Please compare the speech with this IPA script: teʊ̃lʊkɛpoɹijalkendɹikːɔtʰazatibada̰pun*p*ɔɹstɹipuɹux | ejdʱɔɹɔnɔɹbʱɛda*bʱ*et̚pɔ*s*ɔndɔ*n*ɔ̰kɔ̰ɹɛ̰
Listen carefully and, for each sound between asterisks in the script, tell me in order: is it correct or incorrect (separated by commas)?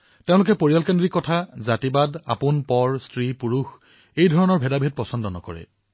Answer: correct, correct, correct, correct